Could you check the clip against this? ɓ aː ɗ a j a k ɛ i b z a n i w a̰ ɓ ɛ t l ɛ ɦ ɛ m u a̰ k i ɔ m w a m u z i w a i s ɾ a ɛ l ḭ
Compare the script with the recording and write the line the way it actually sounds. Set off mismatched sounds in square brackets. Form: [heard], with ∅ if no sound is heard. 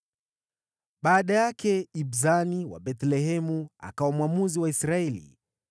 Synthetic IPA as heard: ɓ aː ɗ a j a k ɛ i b z a n i w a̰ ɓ ɛ t l ɛ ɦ ɛ m u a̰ k [a] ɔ m w a m u z i w a i s ɾ a ɛ l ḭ